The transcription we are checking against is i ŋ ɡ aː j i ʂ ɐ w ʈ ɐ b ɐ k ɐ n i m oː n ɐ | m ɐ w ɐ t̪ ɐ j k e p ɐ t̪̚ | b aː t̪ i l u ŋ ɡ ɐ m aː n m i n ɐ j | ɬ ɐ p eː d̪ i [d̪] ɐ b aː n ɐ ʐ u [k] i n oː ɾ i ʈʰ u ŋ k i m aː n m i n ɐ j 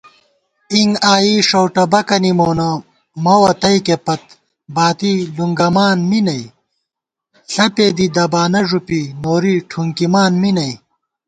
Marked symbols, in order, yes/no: yes, no

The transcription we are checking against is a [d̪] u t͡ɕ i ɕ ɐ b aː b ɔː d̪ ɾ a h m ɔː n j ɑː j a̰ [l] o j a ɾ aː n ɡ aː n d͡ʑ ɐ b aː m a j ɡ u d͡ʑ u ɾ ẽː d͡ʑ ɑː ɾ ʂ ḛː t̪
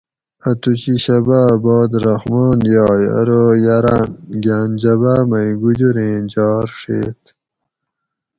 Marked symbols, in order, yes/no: no, no

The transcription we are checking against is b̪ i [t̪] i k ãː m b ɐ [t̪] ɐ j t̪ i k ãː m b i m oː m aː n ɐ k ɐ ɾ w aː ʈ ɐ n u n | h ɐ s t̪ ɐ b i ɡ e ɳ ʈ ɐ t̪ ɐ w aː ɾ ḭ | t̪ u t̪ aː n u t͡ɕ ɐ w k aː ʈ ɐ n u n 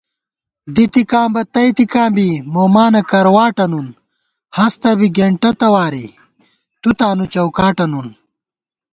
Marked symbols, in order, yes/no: yes, yes

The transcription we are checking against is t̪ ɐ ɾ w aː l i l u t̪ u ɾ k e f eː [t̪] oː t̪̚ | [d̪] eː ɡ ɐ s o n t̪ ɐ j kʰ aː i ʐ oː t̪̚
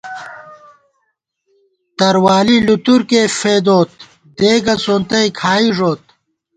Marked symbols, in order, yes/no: no, yes

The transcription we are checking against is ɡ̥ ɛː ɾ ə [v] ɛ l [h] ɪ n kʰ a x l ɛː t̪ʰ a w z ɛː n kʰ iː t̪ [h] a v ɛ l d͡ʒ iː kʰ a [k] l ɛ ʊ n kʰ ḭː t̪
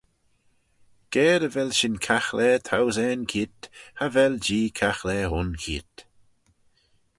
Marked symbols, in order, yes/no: yes, no, yes, no

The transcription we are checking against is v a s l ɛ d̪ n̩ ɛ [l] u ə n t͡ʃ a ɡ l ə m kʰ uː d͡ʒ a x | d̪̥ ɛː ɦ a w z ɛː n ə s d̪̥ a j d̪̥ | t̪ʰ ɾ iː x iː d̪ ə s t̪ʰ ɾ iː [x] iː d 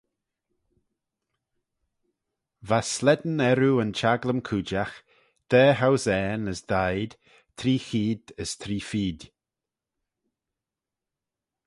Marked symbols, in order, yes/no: no, no

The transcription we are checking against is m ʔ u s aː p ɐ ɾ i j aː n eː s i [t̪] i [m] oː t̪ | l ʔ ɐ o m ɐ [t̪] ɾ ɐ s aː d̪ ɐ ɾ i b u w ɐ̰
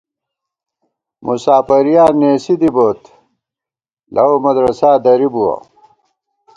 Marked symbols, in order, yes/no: no, no, no

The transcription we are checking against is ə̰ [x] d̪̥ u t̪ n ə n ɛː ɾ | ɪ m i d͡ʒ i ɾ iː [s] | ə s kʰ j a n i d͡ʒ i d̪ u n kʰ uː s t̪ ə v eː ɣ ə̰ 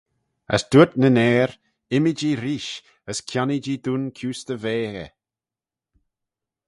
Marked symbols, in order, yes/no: no, no

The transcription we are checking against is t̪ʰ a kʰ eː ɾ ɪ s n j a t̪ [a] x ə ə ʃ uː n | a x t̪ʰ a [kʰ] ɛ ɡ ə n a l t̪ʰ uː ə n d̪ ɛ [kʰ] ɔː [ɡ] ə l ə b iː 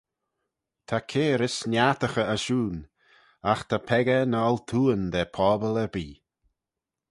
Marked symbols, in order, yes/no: no, no, no, no

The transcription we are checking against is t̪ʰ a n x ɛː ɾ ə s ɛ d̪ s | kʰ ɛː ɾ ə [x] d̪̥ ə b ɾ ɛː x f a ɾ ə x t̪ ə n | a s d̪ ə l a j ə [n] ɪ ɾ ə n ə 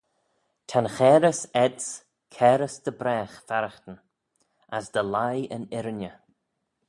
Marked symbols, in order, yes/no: no, yes

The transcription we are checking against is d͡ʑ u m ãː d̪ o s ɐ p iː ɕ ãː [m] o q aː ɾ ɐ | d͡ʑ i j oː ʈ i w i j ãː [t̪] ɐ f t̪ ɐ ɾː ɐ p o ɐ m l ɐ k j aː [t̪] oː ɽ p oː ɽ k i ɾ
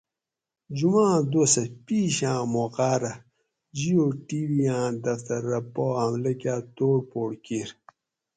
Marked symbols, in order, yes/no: yes, no, yes

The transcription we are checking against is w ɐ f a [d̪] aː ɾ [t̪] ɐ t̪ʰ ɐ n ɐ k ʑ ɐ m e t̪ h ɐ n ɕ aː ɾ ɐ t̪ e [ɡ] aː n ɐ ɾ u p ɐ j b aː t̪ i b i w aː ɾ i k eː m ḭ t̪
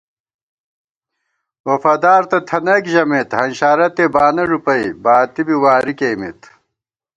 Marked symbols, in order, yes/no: yes, yes, no

